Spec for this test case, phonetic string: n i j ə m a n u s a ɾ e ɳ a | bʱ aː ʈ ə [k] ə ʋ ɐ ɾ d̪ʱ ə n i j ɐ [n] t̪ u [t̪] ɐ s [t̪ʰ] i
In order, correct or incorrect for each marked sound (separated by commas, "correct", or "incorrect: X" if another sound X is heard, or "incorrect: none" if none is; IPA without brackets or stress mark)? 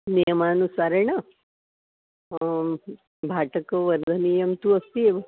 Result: correct, incorrect: m, incorrect: none, incorrect: t̪